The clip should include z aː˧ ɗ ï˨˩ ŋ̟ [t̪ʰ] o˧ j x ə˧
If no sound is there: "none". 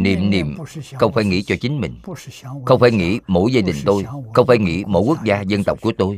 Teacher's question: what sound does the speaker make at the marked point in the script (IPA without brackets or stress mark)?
t̪